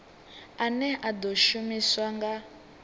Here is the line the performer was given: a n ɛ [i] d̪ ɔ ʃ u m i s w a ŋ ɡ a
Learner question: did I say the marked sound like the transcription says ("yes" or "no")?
no